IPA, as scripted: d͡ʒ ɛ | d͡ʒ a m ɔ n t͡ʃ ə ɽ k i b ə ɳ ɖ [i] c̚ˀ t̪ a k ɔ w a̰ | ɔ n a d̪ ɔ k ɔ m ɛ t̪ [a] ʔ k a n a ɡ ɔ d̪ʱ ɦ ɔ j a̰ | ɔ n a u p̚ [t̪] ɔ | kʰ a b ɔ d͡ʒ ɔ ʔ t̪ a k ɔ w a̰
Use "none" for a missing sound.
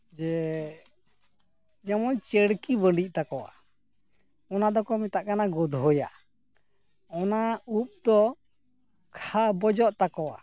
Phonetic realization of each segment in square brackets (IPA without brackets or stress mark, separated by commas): i, a, d̪